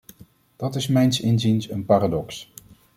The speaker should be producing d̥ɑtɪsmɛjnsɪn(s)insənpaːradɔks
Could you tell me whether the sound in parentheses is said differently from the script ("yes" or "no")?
yes